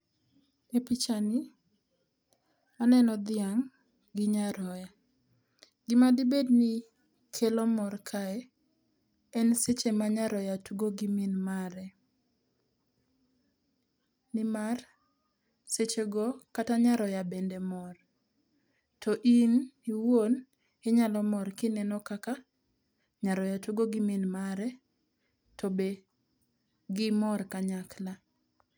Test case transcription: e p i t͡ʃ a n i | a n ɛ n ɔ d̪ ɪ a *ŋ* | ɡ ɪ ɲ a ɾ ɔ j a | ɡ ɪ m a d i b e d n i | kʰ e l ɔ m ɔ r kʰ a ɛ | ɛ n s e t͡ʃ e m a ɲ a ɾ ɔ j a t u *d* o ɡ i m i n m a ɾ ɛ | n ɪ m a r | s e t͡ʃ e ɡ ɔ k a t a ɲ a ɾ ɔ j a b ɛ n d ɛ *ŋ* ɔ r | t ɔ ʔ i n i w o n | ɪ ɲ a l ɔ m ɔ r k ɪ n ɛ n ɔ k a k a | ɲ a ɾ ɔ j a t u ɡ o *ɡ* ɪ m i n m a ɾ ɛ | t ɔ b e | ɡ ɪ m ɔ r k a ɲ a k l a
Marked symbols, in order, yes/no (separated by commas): yes, no, no, yes